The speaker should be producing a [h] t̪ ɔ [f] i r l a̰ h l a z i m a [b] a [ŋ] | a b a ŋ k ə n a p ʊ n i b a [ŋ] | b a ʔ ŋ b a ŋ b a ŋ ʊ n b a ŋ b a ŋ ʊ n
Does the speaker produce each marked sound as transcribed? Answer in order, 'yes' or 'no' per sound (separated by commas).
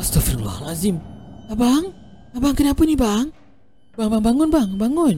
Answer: no, yes, yes, yes, yes